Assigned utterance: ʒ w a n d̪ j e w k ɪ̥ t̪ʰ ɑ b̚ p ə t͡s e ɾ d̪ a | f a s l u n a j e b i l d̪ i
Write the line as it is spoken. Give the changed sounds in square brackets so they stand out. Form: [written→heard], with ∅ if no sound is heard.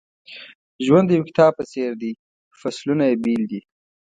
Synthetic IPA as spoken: ʒ w a n d̪ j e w k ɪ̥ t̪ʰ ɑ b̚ p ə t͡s e ɾ d̪ [a→i] | f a s l u n a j e b i l d̪ i